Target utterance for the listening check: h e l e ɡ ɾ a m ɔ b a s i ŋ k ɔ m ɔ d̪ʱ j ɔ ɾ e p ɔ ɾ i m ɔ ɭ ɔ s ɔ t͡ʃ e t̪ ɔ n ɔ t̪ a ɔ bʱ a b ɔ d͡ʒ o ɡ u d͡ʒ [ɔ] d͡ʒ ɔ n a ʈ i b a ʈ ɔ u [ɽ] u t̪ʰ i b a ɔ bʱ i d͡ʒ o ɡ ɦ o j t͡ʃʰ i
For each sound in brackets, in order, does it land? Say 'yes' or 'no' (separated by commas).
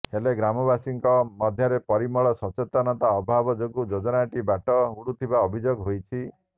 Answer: no, yes